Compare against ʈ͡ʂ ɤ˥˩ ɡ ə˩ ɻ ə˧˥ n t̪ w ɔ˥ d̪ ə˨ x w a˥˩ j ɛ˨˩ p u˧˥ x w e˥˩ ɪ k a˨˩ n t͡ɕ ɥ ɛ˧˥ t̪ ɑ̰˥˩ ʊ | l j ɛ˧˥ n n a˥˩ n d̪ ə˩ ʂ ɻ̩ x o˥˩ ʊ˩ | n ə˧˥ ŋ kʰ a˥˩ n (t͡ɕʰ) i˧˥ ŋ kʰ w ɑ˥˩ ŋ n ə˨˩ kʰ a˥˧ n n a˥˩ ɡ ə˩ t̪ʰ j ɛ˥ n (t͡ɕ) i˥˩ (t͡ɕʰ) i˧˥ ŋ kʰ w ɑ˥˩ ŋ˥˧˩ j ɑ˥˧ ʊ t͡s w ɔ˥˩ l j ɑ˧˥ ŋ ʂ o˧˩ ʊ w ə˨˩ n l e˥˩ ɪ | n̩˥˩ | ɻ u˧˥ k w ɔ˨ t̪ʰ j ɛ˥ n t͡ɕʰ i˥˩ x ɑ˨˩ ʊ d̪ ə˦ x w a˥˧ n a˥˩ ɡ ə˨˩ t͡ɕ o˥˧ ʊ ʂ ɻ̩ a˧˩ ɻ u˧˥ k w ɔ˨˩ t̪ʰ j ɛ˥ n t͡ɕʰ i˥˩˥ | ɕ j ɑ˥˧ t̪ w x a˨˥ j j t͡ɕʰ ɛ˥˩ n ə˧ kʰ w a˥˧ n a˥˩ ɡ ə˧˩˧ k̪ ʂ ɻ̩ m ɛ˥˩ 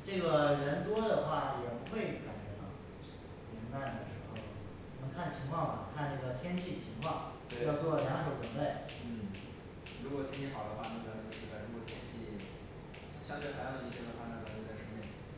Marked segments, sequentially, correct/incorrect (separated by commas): correct, incorrect, correct